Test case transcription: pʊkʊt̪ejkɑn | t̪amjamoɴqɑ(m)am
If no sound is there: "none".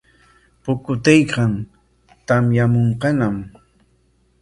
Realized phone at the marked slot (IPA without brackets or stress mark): n